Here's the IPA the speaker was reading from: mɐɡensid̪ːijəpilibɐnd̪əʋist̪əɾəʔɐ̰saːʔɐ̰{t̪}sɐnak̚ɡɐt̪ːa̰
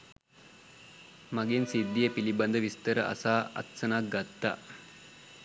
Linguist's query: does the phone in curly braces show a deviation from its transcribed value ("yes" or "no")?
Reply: no